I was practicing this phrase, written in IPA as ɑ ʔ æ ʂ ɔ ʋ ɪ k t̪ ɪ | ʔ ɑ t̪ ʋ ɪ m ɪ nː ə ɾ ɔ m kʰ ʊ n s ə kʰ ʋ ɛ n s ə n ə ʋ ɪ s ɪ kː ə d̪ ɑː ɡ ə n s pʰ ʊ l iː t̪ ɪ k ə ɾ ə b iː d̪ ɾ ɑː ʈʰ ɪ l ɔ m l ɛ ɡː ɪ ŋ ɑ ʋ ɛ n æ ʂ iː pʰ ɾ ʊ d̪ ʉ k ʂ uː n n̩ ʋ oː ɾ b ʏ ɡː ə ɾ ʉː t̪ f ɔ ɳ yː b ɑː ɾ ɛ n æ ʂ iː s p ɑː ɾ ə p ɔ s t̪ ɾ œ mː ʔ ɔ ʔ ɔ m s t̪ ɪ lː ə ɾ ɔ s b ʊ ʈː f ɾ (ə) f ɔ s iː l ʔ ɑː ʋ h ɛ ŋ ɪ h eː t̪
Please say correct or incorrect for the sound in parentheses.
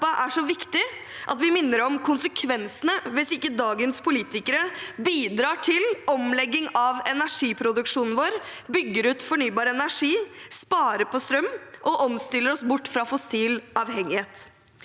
incorrect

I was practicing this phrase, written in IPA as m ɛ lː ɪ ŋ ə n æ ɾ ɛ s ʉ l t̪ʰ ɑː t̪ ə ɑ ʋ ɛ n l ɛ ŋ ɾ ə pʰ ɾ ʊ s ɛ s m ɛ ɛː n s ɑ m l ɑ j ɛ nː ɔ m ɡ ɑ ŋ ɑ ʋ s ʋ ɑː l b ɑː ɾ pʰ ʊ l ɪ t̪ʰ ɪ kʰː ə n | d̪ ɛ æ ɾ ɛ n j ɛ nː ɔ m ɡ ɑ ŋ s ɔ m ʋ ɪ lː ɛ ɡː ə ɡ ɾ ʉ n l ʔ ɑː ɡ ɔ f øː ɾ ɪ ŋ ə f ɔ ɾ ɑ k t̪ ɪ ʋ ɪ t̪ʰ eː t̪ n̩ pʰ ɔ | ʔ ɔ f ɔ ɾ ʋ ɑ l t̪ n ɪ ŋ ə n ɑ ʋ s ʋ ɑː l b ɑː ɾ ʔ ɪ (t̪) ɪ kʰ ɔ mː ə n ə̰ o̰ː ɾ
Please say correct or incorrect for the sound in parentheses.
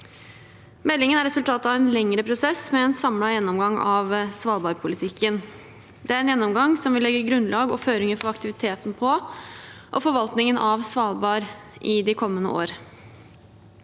incorrect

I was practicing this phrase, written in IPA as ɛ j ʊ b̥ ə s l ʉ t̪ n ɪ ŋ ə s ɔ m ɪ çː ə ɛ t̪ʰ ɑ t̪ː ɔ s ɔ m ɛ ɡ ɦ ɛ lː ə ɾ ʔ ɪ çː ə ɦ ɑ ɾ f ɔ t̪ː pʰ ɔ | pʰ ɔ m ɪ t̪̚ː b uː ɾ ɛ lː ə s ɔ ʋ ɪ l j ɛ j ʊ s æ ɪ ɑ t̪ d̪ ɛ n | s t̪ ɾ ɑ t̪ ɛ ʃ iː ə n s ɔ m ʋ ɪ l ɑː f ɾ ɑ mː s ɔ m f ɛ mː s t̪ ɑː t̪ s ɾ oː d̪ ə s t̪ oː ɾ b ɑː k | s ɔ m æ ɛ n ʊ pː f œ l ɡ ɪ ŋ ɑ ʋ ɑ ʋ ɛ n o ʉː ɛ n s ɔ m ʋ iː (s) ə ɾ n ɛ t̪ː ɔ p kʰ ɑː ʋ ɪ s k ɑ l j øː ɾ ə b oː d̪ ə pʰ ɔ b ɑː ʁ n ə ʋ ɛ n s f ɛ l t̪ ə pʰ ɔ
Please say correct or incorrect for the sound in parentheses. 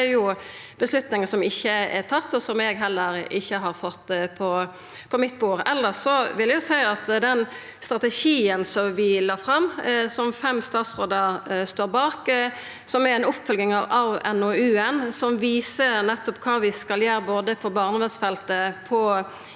correct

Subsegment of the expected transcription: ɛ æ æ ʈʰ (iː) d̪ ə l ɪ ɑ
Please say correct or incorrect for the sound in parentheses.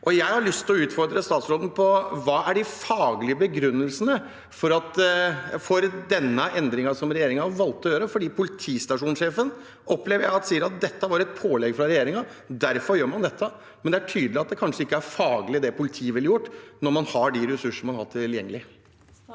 incorrect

